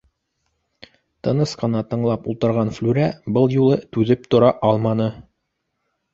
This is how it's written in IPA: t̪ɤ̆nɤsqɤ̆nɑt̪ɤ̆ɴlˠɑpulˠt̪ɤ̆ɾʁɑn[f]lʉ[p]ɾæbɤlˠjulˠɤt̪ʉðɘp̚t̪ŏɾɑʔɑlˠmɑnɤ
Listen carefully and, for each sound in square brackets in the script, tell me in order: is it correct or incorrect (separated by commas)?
correct, incorrect